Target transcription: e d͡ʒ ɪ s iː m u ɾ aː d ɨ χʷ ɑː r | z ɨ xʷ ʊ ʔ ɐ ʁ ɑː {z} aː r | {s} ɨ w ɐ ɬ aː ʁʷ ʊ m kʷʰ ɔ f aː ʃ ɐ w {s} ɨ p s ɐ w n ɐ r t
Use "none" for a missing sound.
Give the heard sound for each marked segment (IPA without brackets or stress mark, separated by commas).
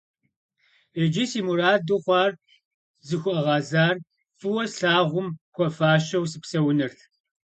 z, f, s